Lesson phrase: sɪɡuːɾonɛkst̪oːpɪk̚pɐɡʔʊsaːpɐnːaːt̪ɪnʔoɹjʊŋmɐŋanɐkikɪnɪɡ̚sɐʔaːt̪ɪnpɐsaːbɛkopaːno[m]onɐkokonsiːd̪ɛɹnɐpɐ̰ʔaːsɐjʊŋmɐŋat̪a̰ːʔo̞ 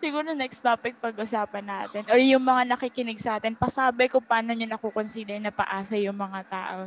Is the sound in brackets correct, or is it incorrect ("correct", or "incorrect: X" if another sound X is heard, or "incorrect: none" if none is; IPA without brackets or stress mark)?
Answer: incorrect: ɲ